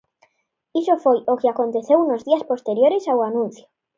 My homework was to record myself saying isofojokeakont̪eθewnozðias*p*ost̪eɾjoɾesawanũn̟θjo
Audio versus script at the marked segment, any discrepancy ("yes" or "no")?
no